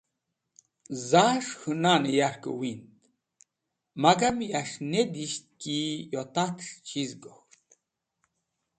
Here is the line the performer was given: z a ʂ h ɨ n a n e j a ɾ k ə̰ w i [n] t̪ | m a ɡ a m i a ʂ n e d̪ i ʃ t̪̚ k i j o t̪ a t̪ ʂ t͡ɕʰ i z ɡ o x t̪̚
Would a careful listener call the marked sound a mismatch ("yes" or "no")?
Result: no